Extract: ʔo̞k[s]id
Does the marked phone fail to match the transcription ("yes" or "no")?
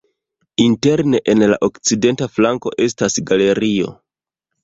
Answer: yes